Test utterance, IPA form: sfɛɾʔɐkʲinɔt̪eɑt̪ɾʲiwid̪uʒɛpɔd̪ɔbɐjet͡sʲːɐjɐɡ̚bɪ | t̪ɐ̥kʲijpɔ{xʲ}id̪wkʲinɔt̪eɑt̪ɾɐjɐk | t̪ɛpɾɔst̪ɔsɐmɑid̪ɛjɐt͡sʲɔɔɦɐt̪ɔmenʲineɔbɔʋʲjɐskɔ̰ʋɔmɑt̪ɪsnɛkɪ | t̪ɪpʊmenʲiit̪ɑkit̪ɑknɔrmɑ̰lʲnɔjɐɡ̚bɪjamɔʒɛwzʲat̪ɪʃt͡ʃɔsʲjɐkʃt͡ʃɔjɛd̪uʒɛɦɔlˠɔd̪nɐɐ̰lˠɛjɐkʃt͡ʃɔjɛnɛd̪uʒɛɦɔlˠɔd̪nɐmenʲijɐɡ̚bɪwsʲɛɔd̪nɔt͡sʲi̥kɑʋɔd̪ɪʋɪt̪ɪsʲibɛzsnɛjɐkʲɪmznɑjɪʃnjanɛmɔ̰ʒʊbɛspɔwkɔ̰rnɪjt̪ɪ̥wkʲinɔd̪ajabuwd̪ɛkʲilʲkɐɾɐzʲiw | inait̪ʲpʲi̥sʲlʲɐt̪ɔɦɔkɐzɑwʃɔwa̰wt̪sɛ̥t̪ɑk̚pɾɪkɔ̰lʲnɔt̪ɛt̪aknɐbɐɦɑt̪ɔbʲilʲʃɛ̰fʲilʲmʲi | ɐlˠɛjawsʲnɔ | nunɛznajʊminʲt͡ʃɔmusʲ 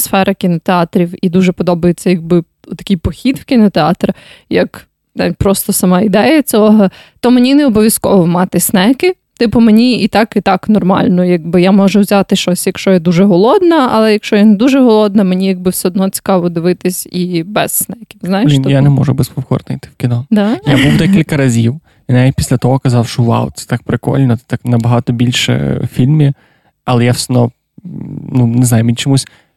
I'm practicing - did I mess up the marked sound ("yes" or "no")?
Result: no